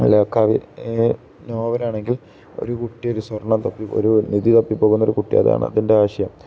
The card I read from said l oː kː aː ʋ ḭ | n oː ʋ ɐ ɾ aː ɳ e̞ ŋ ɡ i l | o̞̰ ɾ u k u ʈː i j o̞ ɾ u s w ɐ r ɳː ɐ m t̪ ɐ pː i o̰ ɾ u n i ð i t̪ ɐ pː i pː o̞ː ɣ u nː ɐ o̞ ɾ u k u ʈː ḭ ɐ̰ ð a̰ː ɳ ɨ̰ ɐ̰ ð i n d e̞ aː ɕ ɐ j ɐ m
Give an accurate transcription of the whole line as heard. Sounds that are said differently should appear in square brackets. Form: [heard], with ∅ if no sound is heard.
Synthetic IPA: l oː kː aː ʋ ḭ | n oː ʋ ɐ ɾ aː ɳ e̞ ŋ ɡ i l | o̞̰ ɾ u k u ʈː i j o̞ ɾ u s w ɐ r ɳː ɐ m t̪ ɐ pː i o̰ ɾ u n i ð i t̪ ɐ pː i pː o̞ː ɣ u nː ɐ o̞ ɾ u k u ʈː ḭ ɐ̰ ð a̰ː ɳ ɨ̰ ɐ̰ ð i n d e̞ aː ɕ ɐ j ɐ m